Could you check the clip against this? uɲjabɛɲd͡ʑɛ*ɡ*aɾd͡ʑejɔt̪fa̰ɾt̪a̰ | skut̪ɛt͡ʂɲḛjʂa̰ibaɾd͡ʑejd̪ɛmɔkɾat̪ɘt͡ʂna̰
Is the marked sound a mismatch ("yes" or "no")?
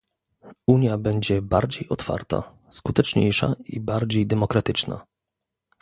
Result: yes